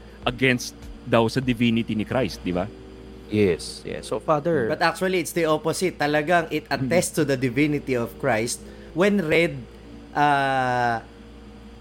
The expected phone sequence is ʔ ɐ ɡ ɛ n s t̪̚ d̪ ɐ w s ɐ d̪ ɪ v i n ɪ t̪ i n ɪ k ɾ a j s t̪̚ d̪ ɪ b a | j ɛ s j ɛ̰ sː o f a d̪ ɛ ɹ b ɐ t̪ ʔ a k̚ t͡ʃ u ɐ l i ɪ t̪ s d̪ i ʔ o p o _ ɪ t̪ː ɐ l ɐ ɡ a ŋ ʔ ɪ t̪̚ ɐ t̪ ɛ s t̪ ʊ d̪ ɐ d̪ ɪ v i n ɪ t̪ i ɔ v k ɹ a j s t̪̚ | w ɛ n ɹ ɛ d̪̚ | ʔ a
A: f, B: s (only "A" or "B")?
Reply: B